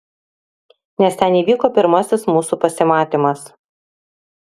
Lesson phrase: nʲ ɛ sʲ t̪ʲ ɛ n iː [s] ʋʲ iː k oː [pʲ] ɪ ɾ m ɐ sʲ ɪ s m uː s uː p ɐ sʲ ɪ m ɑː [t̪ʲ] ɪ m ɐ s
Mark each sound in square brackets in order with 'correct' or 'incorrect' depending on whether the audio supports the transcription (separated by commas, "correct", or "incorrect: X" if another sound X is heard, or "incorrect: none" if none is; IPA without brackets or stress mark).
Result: incorrect: none, correct, correct